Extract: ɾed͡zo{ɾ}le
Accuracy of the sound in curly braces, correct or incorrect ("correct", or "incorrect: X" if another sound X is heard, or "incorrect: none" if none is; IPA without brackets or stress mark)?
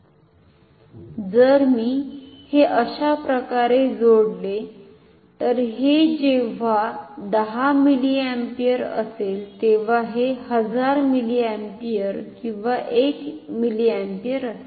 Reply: incorrect: ɽ